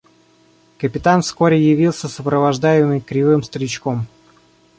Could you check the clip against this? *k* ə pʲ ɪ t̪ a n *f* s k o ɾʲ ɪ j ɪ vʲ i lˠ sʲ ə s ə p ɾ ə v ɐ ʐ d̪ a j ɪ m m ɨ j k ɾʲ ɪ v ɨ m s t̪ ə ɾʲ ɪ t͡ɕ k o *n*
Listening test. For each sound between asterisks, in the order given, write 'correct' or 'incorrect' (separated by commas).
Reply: correct, correct, incorrect